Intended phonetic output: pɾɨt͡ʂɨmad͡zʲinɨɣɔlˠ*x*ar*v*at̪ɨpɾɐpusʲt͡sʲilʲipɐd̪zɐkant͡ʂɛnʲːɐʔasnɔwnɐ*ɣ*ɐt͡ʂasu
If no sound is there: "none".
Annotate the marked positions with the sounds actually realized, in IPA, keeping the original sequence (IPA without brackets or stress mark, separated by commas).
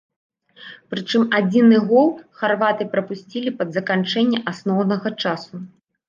x, v, ɣ